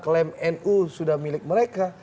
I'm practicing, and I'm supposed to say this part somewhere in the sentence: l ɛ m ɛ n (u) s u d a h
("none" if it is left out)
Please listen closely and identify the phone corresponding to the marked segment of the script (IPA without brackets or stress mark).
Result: u